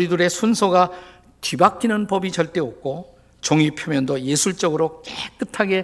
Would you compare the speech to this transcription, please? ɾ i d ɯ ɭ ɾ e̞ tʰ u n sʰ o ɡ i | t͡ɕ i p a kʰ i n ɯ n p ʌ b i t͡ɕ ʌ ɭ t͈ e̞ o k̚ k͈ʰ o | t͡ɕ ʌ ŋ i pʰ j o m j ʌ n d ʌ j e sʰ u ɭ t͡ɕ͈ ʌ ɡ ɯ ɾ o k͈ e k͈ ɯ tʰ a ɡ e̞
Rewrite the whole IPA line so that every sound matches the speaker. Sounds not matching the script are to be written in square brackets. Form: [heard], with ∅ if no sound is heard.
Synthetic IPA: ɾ i d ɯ [∅] ɾ e̞ [sʰ] u n sʰ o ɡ [a] | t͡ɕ i [b] a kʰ i n ɯ n p ʌ b i t͡ɕ ʌ ɭ t͈ e̞ o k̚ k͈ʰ o | t͡ɕ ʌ ŋ i pʰ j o m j ʌ n d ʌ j e sʰ u ɭ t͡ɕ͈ ʌ ɡ ɯ ɾ o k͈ e k͈ ɯ tʰ a ɡ e̞